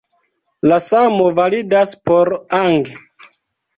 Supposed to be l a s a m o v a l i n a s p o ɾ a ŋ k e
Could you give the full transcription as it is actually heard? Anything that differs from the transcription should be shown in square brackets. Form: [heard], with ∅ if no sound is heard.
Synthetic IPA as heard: l a s a m o v a l i [d] a s p o ɾ a ŋ [ɡ] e